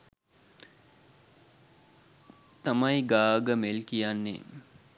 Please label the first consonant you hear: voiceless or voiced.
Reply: voiceless